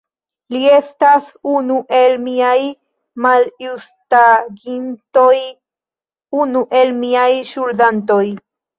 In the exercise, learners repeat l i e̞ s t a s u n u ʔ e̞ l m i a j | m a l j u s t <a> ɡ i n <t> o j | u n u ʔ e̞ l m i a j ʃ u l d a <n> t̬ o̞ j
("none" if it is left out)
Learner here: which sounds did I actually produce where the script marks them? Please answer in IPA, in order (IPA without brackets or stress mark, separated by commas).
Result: a, t, n